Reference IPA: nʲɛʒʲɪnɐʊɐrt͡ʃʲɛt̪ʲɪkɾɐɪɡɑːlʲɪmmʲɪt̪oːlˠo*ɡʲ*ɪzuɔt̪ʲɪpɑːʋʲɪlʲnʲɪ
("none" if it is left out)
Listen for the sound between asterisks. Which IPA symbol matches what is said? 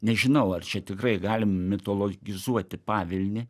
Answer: ɡʲ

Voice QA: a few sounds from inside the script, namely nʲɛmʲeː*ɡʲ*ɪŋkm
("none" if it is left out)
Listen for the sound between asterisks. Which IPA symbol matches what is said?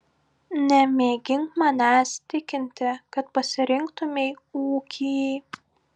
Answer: ɡʲ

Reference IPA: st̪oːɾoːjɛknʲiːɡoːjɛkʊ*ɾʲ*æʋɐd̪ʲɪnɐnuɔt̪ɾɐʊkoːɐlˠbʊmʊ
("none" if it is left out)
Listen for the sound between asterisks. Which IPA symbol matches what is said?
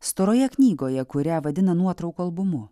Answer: ɾʲ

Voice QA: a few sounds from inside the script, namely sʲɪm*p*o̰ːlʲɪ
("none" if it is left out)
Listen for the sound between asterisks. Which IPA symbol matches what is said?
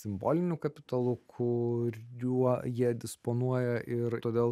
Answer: b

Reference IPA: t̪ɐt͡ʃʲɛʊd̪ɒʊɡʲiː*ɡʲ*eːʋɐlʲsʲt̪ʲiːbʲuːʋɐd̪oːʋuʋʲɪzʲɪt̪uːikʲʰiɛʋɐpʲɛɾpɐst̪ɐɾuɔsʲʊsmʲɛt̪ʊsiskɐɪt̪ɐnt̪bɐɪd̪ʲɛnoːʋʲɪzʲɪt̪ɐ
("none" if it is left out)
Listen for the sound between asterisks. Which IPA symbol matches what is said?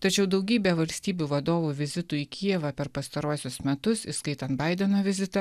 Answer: bʲ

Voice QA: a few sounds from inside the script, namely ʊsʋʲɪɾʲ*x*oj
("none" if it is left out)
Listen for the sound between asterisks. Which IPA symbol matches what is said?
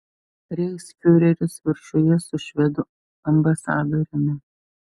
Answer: ʃ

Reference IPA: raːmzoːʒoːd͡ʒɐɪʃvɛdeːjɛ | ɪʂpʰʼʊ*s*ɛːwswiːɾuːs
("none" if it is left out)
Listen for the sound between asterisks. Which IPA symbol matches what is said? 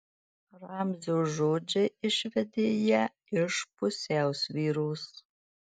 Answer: s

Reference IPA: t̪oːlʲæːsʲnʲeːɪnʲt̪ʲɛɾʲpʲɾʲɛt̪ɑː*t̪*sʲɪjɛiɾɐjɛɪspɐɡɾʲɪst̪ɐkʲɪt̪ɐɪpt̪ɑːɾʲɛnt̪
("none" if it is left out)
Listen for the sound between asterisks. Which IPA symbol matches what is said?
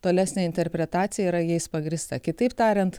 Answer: t̪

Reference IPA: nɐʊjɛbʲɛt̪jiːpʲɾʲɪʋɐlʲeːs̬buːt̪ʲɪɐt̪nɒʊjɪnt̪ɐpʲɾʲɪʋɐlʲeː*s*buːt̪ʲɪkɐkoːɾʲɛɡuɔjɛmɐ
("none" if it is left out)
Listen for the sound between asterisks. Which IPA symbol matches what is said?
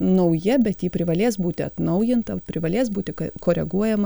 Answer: s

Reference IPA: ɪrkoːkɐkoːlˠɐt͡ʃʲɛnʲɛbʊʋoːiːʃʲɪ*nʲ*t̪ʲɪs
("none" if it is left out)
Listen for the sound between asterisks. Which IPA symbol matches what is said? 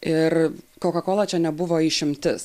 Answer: mʲ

